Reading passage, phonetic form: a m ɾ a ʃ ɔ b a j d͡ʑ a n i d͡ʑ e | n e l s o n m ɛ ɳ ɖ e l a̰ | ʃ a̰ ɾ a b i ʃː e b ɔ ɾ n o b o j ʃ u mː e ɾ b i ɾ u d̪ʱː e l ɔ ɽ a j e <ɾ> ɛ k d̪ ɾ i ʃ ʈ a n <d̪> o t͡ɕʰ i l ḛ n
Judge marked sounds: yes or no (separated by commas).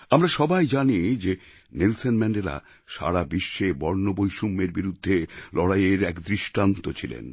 yes, no